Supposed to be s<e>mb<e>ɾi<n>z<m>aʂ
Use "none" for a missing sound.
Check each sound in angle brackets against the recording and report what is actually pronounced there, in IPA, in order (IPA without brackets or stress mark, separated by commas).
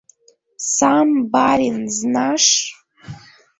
a, a, n, n